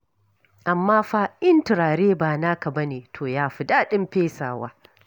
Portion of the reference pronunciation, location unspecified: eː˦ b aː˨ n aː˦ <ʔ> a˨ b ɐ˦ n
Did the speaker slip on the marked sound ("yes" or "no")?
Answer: yes